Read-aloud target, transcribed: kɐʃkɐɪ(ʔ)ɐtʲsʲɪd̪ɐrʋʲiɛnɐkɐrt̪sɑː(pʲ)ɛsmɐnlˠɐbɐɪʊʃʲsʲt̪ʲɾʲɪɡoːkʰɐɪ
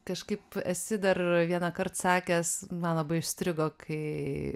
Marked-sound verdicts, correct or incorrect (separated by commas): incorrect, incorrect